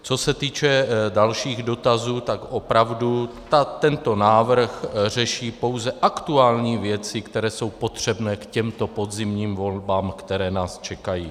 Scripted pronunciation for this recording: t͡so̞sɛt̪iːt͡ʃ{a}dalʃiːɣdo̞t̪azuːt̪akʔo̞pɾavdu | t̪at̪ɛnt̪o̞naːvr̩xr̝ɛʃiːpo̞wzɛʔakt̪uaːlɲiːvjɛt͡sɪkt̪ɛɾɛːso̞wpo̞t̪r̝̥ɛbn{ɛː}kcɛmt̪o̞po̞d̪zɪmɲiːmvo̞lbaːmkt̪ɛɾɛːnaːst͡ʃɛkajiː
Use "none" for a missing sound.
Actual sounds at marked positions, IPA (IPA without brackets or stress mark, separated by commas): ɛ, ɛː